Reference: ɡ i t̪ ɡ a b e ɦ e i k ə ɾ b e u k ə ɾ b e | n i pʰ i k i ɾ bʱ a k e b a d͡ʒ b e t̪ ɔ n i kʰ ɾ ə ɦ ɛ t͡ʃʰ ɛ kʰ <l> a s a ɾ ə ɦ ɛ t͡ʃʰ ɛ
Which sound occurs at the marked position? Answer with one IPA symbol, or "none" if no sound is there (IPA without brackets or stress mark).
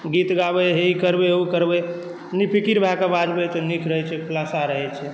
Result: l